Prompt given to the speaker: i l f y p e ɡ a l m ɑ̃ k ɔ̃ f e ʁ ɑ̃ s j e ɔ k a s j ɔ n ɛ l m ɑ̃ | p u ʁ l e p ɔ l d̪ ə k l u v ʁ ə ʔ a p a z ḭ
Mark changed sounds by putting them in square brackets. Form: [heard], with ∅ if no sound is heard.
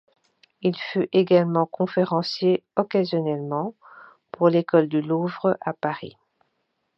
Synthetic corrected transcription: i l f y [ʔ] e ɡ a l m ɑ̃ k ɔ̃ f e ʁ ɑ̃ s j e ɔ k a [z] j ɔ n ɛ l m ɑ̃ | p u ʁ l e [k] ɔ l d̪ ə [∅] l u v ʁ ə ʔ a p a [ʁ] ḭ